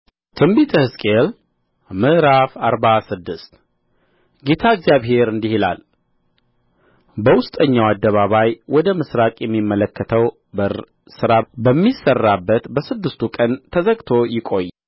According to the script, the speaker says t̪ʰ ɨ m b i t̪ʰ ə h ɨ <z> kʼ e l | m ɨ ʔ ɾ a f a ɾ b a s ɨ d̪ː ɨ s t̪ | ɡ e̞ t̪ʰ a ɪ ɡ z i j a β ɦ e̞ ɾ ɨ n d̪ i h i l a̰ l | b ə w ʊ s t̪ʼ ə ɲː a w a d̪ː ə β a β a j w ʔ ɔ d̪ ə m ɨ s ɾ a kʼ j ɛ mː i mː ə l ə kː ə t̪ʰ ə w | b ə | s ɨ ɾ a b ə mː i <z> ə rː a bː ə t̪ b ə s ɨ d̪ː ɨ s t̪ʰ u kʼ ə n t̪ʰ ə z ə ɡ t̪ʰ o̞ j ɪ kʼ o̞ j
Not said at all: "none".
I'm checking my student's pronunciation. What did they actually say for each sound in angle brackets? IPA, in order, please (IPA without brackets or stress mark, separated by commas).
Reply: s, s